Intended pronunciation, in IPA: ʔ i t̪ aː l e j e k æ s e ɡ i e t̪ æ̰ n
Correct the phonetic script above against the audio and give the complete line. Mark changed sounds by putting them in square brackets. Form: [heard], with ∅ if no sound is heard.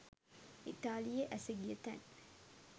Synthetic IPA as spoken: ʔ i t̪ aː l [i] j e [ʔ] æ s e ɡ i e t̪ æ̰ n